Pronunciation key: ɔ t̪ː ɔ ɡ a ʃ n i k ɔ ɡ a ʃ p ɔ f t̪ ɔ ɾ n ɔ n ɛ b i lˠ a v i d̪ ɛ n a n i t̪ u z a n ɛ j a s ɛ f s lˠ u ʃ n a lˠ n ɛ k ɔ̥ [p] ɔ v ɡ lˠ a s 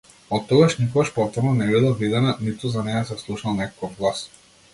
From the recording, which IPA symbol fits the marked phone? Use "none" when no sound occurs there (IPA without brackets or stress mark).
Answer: k